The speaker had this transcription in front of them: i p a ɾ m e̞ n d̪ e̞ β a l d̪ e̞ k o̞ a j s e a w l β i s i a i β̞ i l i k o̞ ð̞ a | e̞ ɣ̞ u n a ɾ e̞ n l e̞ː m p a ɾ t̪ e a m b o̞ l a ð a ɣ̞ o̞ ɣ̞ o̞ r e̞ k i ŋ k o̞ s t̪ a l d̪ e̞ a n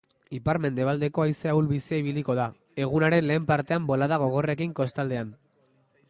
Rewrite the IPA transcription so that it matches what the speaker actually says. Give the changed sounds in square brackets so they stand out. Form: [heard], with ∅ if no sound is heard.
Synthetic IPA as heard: i p a ɾ m e̞ n d̪ e̞ β a l d̪ e̞ k o̞ a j s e a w l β i s i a i β̞ i l i k o̞ ð̞ a | e̞ ɣ̞ u n a ɾ e̞ n l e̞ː m p a ɾ t̪ e a m b o̞ l a ð a ɣ̞ o̞ ɣ̞ o̞ r e̞ k i ŋ k o̞ s t̪ a l d̪ e̞ a n